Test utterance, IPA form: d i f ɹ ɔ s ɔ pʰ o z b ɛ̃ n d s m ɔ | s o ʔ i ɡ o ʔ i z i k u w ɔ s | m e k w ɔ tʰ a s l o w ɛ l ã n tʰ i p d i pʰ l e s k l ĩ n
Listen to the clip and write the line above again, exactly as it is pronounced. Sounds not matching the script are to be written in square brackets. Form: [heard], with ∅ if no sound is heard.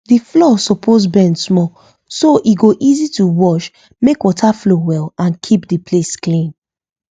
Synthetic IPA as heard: d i f [l] ɔ s ɔ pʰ o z b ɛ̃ n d s m ɔ | s o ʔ i ɡ o ʔ i z i [t] u w ɔ [ʃ] | m e k w ɔ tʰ a [f] l o w ɛ l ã n [kʰ] i p d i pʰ l e s k l ĩ n